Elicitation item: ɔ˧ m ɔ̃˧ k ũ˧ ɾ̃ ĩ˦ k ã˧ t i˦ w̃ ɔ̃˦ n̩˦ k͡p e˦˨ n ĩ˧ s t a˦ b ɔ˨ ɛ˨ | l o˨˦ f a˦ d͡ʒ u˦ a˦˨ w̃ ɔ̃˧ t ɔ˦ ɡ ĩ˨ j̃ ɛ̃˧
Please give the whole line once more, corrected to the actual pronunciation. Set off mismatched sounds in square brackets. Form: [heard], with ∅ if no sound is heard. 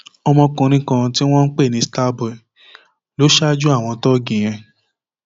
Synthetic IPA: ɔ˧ m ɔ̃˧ k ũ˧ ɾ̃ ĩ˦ k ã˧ t i˦ w̃ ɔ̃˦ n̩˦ k͡p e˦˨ n ĩ˧ s t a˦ b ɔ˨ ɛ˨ | l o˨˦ [ʃ] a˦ d͡ʒ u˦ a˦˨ w̃ ɔ̃˧ t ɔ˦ ɡ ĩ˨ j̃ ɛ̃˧